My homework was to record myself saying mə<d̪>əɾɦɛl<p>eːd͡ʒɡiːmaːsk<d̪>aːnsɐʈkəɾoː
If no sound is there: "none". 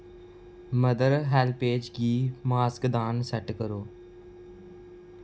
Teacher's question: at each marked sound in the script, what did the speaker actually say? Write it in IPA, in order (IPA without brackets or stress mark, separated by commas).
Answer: d̪, p, d̪